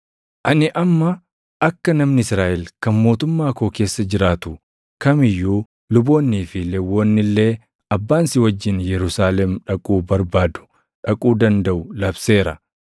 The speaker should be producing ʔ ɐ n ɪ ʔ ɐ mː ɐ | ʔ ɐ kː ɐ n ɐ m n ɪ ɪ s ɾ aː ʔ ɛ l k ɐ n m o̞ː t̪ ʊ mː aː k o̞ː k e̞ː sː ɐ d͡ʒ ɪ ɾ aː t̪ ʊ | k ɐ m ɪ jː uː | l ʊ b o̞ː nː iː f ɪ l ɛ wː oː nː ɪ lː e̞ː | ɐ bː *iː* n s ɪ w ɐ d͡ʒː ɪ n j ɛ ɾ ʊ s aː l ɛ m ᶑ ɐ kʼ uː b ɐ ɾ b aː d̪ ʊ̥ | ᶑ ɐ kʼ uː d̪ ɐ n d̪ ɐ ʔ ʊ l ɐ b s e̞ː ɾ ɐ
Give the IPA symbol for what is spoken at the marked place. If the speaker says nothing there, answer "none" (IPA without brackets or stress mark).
aː